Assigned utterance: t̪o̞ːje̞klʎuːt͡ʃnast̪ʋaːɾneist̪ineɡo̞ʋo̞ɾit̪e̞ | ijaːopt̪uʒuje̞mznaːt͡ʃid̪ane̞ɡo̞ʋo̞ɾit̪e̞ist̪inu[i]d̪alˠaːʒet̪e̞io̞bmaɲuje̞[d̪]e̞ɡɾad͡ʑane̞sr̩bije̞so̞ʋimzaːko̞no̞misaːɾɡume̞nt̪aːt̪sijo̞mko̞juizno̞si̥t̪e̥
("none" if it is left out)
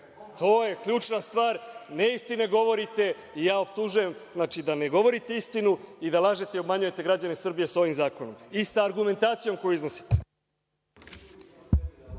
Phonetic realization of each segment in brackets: i, t̪

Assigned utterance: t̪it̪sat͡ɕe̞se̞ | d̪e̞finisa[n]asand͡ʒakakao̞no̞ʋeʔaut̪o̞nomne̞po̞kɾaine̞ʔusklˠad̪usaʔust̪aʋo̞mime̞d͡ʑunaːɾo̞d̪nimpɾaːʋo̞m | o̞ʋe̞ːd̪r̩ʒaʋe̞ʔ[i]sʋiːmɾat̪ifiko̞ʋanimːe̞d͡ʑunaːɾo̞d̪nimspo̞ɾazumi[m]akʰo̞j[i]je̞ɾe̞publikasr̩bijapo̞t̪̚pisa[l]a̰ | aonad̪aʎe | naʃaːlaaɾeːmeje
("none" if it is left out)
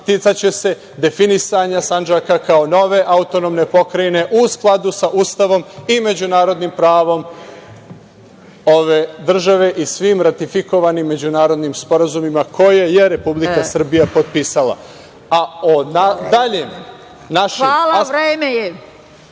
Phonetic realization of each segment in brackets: ɲ, i, m, e, l

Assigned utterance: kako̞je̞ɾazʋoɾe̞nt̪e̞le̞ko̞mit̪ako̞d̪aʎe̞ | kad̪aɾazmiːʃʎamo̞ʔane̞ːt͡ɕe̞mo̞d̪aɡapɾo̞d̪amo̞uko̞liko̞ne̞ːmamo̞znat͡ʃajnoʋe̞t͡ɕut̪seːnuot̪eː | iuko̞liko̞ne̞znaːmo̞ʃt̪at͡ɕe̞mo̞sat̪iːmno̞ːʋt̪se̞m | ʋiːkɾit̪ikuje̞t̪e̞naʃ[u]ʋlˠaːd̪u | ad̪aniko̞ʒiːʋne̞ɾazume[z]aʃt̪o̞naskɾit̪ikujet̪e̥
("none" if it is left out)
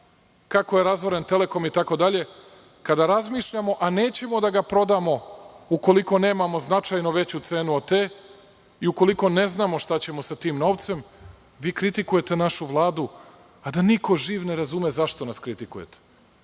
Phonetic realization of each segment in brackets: u, z

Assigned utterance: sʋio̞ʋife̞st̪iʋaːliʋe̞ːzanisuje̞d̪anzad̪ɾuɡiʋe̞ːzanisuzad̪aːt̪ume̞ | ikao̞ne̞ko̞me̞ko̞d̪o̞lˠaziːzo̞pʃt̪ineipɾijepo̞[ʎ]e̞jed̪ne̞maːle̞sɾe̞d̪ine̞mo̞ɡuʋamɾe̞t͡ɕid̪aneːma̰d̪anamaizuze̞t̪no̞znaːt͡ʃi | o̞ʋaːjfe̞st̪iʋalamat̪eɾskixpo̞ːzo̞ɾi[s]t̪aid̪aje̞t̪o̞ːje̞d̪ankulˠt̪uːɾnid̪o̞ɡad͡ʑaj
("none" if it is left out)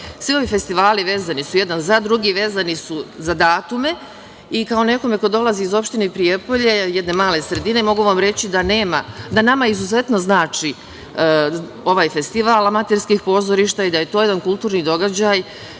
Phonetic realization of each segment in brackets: ʎ, ʃ

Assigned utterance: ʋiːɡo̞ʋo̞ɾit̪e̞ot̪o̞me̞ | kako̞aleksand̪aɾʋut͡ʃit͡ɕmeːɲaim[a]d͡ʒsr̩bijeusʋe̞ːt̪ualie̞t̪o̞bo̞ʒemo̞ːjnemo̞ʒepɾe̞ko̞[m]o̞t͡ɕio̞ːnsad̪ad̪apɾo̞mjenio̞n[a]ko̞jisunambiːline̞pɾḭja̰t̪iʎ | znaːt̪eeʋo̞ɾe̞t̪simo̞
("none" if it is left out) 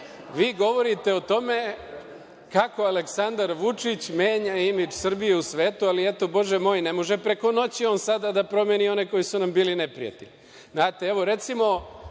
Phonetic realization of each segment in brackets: i, n, e

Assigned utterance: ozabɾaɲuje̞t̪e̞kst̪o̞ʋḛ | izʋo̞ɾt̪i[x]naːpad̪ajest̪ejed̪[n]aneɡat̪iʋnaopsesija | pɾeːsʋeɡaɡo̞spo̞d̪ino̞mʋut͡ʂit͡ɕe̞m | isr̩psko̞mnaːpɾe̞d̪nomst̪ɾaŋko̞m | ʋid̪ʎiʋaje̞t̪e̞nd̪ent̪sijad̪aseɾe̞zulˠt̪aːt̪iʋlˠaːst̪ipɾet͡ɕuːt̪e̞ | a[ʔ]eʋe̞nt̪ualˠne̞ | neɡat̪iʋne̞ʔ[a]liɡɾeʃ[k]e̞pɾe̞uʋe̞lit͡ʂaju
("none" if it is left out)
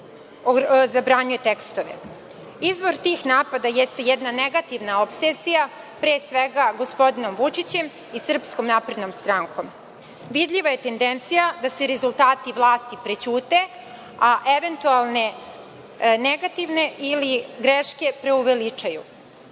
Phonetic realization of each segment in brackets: x, n, ʔ, i, k

